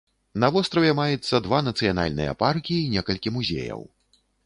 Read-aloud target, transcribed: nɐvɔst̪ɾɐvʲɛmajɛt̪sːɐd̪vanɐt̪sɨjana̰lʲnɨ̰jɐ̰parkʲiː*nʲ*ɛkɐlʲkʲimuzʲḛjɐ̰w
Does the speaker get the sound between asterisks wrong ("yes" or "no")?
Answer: no